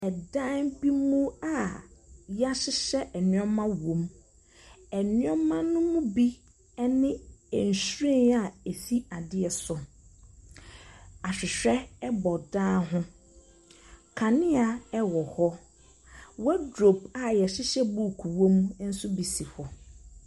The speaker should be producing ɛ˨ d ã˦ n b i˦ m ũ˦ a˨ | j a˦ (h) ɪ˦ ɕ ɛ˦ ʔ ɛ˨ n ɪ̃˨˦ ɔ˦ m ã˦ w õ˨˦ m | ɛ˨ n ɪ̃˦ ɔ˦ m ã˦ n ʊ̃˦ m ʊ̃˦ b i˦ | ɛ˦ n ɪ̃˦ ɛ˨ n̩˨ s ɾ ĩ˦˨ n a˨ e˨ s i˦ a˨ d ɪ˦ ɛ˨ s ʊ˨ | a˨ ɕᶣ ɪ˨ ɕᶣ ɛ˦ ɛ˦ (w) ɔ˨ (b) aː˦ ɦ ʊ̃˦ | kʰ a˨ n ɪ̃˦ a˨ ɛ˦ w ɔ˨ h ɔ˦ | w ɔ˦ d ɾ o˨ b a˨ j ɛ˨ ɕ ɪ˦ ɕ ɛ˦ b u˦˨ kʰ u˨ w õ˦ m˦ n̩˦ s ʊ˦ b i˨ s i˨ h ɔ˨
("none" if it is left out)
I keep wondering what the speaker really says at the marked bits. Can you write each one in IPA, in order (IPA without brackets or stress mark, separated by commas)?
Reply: ɕ, b, d